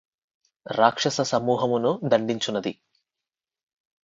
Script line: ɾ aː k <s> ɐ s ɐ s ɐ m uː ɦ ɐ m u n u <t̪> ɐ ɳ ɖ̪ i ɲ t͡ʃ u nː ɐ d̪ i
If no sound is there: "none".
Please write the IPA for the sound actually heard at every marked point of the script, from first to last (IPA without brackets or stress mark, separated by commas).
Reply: ʂ, d̪